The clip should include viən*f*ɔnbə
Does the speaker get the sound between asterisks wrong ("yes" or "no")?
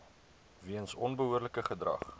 yes